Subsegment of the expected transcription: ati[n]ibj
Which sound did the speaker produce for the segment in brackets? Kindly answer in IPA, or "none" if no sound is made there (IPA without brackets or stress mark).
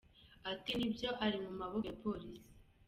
n